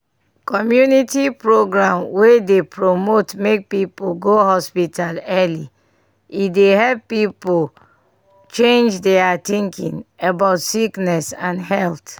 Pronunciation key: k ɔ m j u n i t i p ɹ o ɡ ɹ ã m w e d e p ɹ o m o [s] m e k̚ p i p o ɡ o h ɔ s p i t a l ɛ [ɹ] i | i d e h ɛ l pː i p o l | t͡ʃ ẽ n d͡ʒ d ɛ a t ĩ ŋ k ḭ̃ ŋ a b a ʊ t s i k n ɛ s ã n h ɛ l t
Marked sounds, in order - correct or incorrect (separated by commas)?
incorrect, incorrect